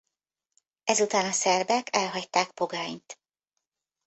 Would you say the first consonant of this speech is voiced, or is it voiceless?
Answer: voiced